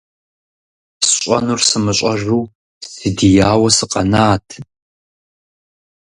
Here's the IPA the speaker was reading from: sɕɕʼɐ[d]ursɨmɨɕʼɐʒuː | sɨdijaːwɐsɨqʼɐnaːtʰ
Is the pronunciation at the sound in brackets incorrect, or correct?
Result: incorrect